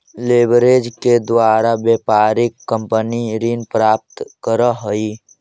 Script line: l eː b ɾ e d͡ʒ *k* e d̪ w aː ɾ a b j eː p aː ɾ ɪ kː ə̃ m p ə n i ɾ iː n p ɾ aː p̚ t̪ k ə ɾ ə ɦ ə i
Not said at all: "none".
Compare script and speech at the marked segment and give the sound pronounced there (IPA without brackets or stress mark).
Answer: k